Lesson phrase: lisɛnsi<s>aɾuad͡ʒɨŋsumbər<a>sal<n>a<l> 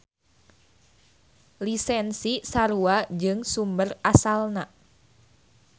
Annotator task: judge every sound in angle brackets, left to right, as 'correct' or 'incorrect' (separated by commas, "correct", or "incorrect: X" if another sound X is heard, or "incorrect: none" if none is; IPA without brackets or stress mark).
correct, correct, correct, incorrect: none